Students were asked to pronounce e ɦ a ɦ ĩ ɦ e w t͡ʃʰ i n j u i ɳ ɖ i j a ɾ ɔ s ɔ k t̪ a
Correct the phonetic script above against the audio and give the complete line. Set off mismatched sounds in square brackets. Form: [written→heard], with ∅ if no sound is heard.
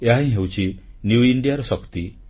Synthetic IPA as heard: e ɦ a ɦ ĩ ɦ e w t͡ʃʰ i n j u i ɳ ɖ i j a ɾ ɔ s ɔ k t̪ [a→i]